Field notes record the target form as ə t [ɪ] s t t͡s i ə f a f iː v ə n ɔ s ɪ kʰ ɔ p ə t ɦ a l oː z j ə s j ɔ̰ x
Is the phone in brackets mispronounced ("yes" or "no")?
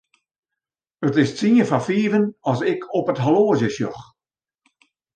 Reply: no